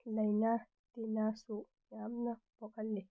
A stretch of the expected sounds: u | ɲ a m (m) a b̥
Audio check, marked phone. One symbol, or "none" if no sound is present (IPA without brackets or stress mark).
n